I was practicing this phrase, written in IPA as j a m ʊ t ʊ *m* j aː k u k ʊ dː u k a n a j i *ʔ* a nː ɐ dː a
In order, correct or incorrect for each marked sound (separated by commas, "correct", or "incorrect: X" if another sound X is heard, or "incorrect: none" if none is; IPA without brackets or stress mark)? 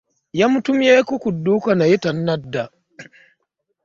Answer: correct, incorrect: t